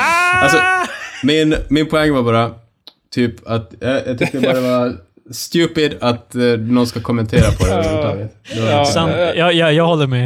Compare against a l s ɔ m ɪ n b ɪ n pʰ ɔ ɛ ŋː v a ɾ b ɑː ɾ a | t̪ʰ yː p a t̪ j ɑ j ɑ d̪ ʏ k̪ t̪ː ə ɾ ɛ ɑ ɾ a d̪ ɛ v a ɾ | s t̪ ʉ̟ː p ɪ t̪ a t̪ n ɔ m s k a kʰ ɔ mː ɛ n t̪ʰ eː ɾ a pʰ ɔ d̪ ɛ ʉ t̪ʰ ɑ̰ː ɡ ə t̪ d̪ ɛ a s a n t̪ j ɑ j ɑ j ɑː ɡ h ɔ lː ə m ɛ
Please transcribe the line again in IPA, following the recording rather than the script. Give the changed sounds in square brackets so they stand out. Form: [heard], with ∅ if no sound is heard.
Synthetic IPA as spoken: a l s ɔ m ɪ n [m] ɪ n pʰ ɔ ɛ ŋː v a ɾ b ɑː ɾ a | t̪ʰ yː p a t̪ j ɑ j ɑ [t̪] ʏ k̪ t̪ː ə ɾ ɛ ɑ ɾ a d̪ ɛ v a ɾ | s t̪ ʉ̟ː p ɪ [d̪] a t̪ n ɔ [n] s k a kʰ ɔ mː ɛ n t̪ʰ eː ɾ a pʰ ɔ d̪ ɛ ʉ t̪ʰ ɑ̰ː ɡ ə t̪ d̪ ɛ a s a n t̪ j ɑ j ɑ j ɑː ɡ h ɔ lː ə m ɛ